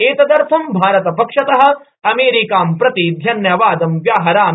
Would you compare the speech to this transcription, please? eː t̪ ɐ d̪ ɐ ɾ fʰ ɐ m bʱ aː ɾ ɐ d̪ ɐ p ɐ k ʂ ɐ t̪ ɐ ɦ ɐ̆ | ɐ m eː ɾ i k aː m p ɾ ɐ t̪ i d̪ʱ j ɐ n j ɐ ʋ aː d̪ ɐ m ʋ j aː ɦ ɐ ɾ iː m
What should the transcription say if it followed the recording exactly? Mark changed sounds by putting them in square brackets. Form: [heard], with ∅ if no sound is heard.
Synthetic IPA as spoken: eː t̪ ɐ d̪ ɐ ɾ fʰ ɐ m bʱ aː ɾ ɐ [t̪] ɐ p ɐ k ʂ ɐ t̪ ɐ ɦ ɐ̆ | ɐ m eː ɾ i k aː m p ɾ ɐ t̪ i d̪ʱ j ɐ n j ɐ ʋ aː d̪ ɐ m ʋ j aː ɦ ɐ ɾ [aː] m